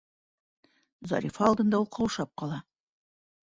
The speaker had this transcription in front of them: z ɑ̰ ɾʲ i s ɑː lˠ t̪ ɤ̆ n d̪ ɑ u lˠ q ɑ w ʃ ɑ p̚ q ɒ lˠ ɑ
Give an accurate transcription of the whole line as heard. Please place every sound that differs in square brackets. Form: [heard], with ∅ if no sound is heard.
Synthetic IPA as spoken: z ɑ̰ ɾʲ i [f] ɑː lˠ [d̪] ɤ̆ n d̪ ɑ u lˠ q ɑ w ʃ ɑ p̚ q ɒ lˠ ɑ